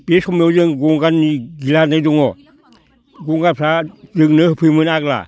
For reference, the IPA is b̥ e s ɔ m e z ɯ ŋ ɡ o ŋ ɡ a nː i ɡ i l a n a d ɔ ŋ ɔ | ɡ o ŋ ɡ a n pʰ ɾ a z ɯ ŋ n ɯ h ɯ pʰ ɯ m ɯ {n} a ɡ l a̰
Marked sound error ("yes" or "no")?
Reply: no